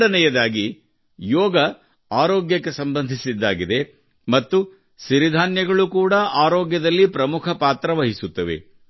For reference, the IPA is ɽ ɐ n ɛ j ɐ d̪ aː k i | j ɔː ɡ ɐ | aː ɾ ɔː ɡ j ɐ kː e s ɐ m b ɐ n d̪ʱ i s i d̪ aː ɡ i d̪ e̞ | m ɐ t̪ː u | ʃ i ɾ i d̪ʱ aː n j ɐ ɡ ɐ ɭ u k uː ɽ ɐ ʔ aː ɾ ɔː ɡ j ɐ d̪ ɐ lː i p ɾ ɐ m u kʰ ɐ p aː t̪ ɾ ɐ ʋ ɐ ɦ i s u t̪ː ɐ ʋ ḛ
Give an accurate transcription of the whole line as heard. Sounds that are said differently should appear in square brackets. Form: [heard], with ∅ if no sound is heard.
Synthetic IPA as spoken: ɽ ɐ n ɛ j ɐ d̪ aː [ɡ] i | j ɔː ɡ ɐ | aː ɾ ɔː ɡ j ɐ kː e s ɐ m b ɐ n d̪ʱ i s i [d̪ː] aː ɡ i d̪ e̞ | m ɐ t̪ː u | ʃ i ɾ i d̪ʱ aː n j ɐ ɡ ɐ ɭ u k uː ɽ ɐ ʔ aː ɾ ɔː ɡ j ɐ d̪ ɐ lː i p ɾ ɐ m u kʰ ɐ p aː t̪ ɾ ɐ ʋ ɐ ɦ i s u t̪ː ɐ ʋ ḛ